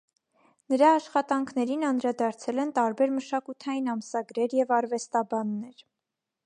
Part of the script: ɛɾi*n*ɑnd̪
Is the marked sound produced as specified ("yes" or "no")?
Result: yes